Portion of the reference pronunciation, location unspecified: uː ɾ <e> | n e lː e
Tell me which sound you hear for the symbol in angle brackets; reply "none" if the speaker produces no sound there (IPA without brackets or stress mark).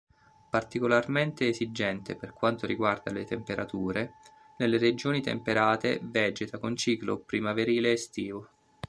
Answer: e